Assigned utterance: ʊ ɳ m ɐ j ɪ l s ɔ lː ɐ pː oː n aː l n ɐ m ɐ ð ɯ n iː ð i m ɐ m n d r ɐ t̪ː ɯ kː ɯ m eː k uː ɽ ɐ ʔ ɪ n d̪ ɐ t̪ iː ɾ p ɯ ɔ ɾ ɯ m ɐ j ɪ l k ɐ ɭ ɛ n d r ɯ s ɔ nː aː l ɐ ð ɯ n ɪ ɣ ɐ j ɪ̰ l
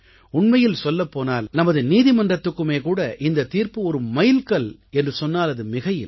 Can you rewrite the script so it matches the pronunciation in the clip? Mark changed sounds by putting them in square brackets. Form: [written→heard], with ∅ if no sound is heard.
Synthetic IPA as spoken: ʊ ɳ m ɐ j ɪ l s ɔ lː ɐ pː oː n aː l n ɐ m ɐ ð ɯ n iː ð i m ɐ [m→∅] n d r ɐ t̪ː ɯ kː ɯ m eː k uː ɽ ɐ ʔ ɪ n d̪ ɐ t̪ iː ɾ p ɯ ɔ ɾ ɯ m ɐ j ɪ l k ɐ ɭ ɛ n d r ɯ s ɔ nː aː l ɐ ð ɯ [n→m] ɪ ɣ ɐ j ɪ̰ l

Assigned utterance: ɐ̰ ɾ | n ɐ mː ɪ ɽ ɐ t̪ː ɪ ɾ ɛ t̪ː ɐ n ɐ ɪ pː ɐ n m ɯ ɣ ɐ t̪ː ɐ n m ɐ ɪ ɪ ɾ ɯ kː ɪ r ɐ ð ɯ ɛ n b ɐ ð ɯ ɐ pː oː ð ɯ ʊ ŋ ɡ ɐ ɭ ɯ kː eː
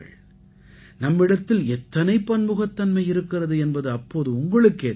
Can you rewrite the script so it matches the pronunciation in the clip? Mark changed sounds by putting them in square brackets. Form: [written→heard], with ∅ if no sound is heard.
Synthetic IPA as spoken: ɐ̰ [ɾ→ɭ] | n ɐ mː ɪ ɽ ɐ t̪ː ɪ [ɾ→l] ɛ t̪ː ɐ n ɐ ɪ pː ɐ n m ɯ ɣ ɐ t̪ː ɐ n m ɐ ɪ ɪ ɾ ɯ kː ɪ r ɐ ð ɯ ɛ n b ɐ ð ɯ ɐ pː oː ð ɯ ʊ ŋ ɡ ɐ ɭ ɯ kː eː

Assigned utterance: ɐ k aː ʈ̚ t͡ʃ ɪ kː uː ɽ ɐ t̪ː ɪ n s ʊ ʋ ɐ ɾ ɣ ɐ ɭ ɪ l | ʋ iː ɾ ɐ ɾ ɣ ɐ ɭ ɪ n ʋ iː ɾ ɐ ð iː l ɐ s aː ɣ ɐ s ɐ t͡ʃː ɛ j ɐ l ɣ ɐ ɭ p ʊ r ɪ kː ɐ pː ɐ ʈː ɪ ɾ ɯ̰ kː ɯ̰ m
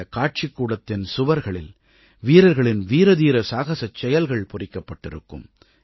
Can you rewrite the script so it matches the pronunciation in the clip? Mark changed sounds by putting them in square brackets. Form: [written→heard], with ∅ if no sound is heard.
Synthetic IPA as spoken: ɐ k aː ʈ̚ t͡ʃ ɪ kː uː ɽ ɐ t̪ː ɪ n s ʊ ʋ ɐ ɾ ɣ ɐ ɭ ɪ l | ʋ iː ɾ ɐ ɾ ɣ ɐ ɭ ɪ n ʋ iː ɾ ɐ ð iː [l→ɾ] ɐ s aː ɣ ɐ s ɐ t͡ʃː ɛ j ɐ l ɣ ɐ ɭ p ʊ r ɪ kː ɐ pː ɐ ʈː ɪ ɾ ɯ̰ kː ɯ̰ m

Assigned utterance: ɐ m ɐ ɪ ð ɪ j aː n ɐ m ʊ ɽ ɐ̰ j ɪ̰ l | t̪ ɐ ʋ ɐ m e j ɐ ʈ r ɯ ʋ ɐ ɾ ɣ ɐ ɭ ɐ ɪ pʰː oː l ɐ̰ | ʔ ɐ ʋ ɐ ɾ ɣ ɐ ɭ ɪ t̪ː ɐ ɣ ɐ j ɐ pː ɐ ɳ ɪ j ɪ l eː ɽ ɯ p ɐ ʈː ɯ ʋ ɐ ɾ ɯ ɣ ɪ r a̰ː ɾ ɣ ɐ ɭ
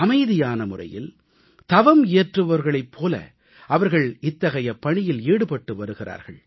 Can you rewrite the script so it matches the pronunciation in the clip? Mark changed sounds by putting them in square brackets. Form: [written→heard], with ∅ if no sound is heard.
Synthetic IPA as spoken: ɐ m ɐ ɪ ð ɪ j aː n ɐ m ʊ [ɽ→r] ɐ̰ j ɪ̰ l | t̪ ɐ ʋ ɐ m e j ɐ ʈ r ɯ ʋ ɐ ɾ ɣ ɐ ɭ ɐ ɪ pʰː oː l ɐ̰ | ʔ ɐ ʋ ɐ ɾ ɣ ɐ ɭ ɪ t̪ː ɐ ɣ ɐ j ɐ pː ɐ ɳ ɪ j ɪ l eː ɽ ɯ p ɐ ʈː ɯ ʋ ɐ ɾ ɯ ɣ ɪ r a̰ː ɾ ɣ ɐ ɭ

